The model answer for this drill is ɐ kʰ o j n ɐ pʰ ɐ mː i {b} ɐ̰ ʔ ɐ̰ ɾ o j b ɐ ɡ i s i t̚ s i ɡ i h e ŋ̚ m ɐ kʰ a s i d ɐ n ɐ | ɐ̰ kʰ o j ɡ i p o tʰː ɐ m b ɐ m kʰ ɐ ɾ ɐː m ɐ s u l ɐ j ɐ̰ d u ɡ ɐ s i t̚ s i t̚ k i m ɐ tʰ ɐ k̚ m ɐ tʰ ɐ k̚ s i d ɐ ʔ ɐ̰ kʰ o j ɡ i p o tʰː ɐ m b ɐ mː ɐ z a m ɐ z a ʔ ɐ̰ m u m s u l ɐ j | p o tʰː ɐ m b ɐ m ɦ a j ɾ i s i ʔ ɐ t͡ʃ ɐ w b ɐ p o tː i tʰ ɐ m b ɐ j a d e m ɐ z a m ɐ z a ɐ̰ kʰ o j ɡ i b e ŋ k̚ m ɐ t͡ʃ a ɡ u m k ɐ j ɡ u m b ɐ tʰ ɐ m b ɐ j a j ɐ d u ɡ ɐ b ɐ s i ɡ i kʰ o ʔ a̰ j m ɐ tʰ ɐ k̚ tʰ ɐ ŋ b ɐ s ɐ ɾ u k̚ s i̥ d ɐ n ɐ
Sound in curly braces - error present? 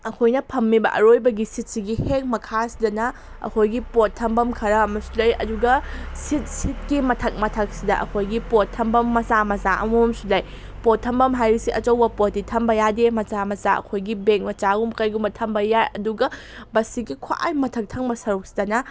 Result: no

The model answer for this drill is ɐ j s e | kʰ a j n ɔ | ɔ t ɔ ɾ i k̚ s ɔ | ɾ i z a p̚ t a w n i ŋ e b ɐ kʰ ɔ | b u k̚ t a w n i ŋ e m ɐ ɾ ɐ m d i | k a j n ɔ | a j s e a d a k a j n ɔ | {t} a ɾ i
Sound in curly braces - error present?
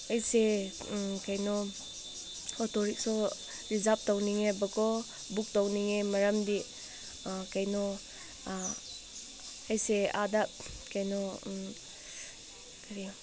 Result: yes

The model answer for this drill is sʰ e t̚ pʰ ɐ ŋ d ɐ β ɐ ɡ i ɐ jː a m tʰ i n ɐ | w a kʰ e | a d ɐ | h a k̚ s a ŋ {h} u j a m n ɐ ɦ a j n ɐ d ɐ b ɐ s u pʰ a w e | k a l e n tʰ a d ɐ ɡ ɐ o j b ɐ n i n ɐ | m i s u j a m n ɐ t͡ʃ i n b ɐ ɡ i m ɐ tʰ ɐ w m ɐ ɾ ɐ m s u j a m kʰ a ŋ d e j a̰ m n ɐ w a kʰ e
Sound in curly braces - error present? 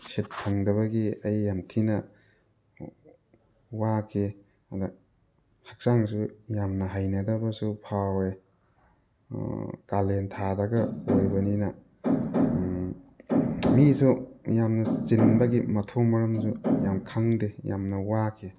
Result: yes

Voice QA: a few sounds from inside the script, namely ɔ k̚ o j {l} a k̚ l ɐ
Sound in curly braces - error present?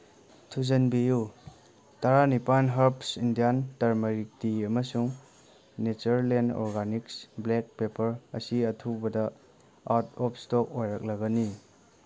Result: yes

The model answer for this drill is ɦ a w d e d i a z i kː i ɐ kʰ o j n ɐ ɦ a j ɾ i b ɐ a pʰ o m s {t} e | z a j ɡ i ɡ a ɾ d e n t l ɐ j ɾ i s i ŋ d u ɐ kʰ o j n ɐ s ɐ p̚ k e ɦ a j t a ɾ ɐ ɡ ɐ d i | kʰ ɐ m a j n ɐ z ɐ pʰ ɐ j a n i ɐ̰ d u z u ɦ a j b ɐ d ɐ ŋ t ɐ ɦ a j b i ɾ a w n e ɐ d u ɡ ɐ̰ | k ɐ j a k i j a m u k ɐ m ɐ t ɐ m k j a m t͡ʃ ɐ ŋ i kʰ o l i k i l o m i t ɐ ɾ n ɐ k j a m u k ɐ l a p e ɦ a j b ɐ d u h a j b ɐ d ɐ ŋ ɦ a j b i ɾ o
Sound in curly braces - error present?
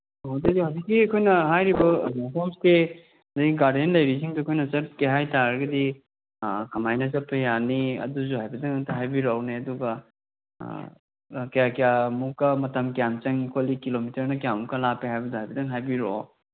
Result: no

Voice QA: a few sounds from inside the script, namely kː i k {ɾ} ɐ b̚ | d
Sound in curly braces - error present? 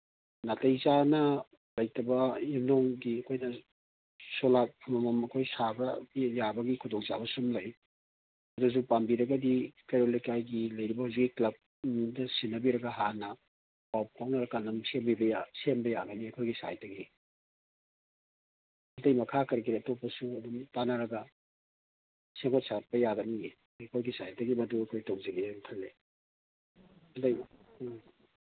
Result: yes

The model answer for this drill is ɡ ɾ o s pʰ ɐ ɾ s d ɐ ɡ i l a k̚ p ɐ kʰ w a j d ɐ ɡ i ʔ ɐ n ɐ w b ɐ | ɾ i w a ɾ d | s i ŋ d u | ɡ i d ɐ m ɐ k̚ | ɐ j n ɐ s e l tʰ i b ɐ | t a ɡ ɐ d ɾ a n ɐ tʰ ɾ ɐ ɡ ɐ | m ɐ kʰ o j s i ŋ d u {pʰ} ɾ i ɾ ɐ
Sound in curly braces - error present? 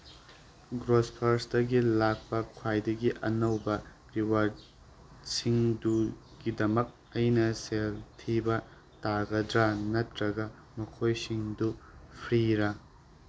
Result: no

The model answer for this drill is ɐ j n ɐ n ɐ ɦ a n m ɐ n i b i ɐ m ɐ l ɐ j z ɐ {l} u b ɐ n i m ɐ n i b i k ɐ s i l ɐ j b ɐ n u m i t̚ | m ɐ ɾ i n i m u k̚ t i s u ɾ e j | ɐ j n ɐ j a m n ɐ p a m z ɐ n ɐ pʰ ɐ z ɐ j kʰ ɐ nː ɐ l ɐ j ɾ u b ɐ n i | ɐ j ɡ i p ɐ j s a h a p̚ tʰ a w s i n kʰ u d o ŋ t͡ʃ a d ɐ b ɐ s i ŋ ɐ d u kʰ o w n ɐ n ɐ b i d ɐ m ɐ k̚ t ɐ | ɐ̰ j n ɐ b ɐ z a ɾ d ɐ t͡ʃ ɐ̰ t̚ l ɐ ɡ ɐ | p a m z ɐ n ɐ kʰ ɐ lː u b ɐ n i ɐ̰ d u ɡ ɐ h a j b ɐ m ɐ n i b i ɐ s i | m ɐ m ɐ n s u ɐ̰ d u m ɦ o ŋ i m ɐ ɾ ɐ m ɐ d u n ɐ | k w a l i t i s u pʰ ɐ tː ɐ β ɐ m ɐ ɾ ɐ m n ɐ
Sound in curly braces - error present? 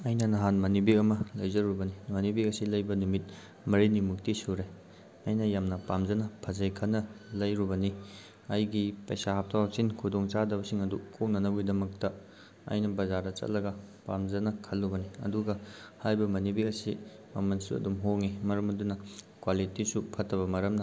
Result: yes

